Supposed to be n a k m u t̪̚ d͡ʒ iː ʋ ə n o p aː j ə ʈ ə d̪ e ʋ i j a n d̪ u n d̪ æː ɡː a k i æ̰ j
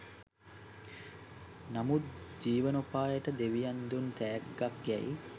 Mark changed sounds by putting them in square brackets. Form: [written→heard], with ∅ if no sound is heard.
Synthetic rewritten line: n a [k→∅] m u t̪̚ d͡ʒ iː ʋ ə n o p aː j ə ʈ ə d̪ e ʋ i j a n d̪ u n [d̪→t̪] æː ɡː a k [i→j] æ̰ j

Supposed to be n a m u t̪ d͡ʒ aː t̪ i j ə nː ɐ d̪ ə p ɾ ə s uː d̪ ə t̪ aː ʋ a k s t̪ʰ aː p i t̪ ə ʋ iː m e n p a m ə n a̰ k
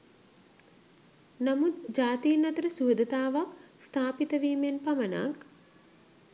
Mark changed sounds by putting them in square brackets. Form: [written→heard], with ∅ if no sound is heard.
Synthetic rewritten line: n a m u t̪ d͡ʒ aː t̪ i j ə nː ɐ [d̪→t̪] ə [p→∅] ɾ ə s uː d̪ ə t̪ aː ʋ a k s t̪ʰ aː p i t̪ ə ʋ iː m e n p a m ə n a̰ k

